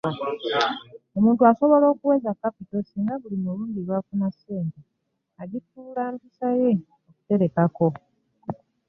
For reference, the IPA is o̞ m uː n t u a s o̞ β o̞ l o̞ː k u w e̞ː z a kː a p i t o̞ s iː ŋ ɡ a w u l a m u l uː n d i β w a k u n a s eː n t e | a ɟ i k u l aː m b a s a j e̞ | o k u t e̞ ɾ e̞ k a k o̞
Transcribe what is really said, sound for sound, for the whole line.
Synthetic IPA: o̞ m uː n t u a s o̞ β o̞ l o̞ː k u w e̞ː z a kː a p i t o̞ s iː ŋ ɡ a β u l i m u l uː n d i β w a k u n a s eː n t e | a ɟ i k u l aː m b i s a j e̞ | o k u t e̞ ɾ e̞ k a k o̞

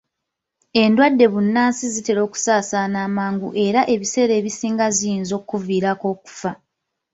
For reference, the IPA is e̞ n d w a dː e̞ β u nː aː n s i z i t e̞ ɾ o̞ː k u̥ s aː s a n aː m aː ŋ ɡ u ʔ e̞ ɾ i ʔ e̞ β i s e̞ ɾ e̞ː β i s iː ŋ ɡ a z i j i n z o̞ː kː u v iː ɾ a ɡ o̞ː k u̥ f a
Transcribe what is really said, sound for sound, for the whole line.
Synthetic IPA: e̞ n d w a dː e̞ β u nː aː n s i z i t e̞ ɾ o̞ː k u̥ s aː s a n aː m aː ŋ ɡ u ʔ e̞ ɾ a ʔ e̞ β i s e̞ ɾ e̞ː β i s iː ŋ ɡ a z i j i n z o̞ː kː u v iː ɾ a k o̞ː k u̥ f a

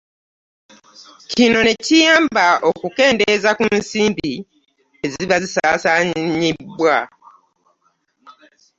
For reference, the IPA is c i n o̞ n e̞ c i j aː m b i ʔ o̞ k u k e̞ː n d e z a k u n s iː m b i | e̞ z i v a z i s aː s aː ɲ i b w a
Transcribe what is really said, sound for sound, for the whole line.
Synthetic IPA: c i n o̞ n e̞ c i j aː m b a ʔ o̞ k u k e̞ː n d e z a k u n s iː m b i | e̞ z i β a z i s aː s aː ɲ i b w a

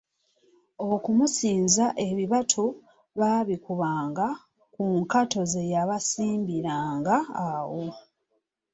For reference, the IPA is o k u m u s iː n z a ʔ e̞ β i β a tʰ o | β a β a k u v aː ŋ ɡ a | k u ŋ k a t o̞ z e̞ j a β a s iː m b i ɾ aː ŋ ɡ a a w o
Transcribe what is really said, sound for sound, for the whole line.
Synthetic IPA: o k u m u s iː n z a ʔ e̞ β i β a tʰ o | β a β i k u β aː ŋ ɡ a | k u ŋ k a t o̞ z e̞ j a β a s iː m b i ɾ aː ŋ ɡ a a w o

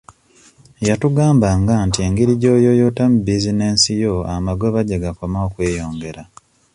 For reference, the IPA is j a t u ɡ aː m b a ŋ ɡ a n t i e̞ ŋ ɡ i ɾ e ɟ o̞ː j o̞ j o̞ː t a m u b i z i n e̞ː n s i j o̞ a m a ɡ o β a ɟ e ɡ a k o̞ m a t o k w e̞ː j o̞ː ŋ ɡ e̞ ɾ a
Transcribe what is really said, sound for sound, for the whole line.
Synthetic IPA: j a t u ɡ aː m b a ŋ ɡ a n t i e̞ ŋ ɡ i ɾ i ɟ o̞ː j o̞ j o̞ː t a m u b i z i n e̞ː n s i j o̞ a m a ɡ o β a ɟ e ɡ a k o̞ m a o k w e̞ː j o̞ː ŋ ɡ e̞ ɾ a

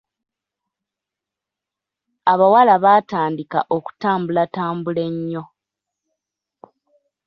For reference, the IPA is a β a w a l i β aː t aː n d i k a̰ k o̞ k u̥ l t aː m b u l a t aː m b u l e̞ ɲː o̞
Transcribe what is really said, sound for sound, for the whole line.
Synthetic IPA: a β a w a l a β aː t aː n d i k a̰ ʔ o̞ k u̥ t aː m b u l a t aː m b u l e̞ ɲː o̞

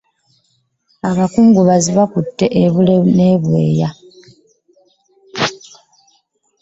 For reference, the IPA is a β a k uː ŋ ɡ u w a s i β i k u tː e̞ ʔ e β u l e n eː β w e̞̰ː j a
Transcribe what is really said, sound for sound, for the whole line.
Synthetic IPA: a β a k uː ŋ ɡ u β a z i β a k u tː e̞ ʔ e β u l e n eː β w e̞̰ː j a

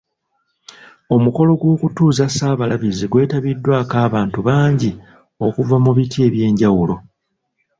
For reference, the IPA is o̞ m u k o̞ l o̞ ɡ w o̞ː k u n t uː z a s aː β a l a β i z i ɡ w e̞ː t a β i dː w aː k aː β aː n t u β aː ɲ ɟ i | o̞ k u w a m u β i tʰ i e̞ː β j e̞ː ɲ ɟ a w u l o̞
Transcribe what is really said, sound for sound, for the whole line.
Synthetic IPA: o̞ m u k o̞ l o̞ ɡ w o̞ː k u t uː z a s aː β a l a β i z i ɡ w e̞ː t a β i dː w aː k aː β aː n t u β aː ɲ ɟ i | o̞ k u v a m u β i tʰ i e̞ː β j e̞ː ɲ ɟ a w u l o̞

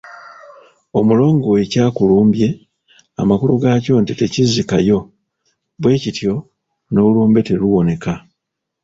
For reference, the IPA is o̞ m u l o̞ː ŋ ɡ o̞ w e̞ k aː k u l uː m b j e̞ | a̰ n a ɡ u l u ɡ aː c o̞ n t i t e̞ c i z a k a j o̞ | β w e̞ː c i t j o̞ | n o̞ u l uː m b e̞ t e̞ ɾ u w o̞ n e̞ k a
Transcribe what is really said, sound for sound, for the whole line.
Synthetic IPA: o̞ m u l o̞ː ŋ ɡ o̞ w e̞ c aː k u l uː m b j e̞ | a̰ m a k u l u ɡ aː c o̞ n t i t e̞ c i z i k a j o̞ | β w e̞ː c i t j o̞ | n o̞ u l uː m b e̞ t e̞ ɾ u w o̞ n e̞ k a

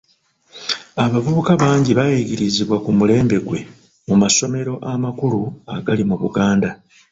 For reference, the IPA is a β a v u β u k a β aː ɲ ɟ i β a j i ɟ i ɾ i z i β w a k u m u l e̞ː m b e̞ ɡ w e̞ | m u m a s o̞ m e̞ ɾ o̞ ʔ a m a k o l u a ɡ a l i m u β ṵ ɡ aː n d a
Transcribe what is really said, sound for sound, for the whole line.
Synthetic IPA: a β a v u β u k a β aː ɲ ɟ i β a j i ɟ i ɾ i z i β w a k u m u l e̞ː m b e̞ ɡ w e̞ | m u m a s o̞ m e̞ ɾ o̞ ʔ a m a k u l u a ɡ a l i m u β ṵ ɡ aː n d a

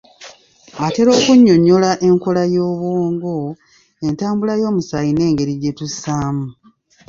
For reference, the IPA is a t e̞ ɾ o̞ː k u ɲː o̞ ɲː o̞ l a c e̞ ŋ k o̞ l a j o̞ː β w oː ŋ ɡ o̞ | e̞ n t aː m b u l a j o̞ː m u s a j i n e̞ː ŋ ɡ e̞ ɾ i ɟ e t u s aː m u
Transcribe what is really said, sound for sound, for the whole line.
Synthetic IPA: a t e̞ ɾ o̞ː k u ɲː o̞ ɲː o̞ l a ʔ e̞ ŋ k o̞ l a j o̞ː β w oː ŋ ɡ o̞ | e̞ n t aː m b u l a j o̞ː m u s a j i n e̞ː ŋ ɡ e̞ ɾ i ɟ e t u s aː m u

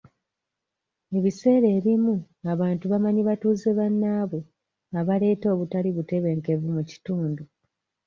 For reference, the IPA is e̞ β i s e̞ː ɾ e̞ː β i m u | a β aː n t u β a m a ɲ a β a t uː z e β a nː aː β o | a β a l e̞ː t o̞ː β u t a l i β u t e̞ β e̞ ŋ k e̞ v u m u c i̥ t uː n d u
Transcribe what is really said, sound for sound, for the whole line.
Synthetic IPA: e̞ β i s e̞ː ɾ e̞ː β i m u | a β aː n t u β a m a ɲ i β a t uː z e β a nː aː β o | a β a l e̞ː t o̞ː β u t a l i β u t e̞ β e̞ ŋ k e̞ v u m u c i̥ t uː n d u

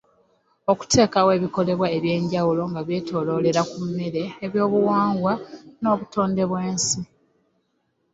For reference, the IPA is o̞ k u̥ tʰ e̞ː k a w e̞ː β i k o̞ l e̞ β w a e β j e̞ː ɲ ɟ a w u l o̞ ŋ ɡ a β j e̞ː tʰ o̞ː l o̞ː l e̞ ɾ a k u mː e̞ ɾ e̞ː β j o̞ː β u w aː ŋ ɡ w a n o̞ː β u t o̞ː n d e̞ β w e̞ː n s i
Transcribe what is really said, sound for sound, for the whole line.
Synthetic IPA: o̞ k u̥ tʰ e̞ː k a w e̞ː β i k o̞ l e̞ β w a e β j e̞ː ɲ ɟ a w u l o̞ ŋ ɡ a β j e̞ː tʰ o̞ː l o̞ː l e̞ ɾ a k u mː e̞ ɾ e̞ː β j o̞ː β u w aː ŋ ɡ w a n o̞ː β u t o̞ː n d e̞ β w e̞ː n s i

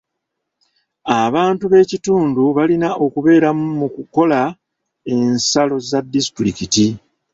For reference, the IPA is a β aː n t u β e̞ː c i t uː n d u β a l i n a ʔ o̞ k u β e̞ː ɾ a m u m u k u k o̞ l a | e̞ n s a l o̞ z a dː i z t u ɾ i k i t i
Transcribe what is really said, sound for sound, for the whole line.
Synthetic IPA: a β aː n t u β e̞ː c i t uː n d u β a l i n a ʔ o̞ k u β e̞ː ɾ a m u m u k u k o̞ l a | e̞ n s a l o̞ z a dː i s t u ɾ i k i t i

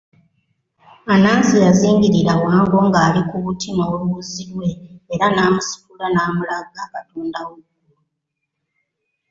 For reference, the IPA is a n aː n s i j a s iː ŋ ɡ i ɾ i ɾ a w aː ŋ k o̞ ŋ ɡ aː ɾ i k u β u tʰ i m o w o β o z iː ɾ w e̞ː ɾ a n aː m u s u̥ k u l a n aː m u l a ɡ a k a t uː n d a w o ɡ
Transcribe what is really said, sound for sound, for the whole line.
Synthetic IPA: a n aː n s i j a z iː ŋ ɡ i ɾ i ɾ a w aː ŋ ɡ o̞ ŋ ɡ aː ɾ i k u β u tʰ i m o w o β u z i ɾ w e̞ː ɾ a n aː m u s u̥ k u l a n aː m u l a ɡ a k a t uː n d a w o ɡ

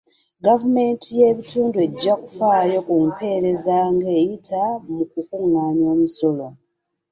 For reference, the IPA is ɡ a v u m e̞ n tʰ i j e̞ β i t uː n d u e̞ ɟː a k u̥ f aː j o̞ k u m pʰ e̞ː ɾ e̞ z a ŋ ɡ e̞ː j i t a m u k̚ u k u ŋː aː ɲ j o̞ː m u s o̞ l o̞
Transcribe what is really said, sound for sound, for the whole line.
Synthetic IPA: ɡ a v u m e̞ n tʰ i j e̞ β i t uː n d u e̞ ɟː a k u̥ f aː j o̞ k u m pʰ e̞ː ɾ e̞ z a ŋ ɡ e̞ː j i t a m u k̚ u k u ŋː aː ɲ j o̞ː m u s o̞ l o̞

